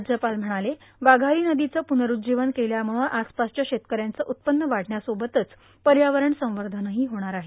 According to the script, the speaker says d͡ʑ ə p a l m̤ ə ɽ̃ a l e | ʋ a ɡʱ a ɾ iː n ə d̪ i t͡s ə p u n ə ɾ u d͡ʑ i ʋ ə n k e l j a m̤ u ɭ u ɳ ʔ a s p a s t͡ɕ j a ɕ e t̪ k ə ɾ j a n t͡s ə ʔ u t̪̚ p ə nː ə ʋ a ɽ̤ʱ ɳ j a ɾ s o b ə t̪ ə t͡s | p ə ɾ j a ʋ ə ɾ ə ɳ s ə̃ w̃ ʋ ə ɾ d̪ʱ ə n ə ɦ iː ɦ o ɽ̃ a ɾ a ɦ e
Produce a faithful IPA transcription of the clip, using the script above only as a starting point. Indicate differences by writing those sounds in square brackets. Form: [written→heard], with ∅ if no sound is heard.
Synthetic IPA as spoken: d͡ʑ ə p a l m̤ ə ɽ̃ a l e | ʋ a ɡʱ a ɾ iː n ə d̪ i t͡s ə p u n ə ɾ u d͡ʑ i ʋ ə n k e l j a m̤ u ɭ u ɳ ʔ a s p a s t͡ɕ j a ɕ e t̪ k ə ɾ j a n t͡s ə ʔ u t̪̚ p ə nː ə ʋ a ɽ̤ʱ ɳ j a [ɾ→∅] s o b ə t̪ ə t͡s | p ə ɾ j a ʋ ə ɾ ə ɳ s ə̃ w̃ ʋ ə ɾ d̪ʱ ə n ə ɦ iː ɦ o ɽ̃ a ɾ a ɦ e